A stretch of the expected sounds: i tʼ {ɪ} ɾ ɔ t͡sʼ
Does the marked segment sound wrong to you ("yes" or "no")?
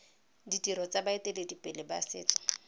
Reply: yes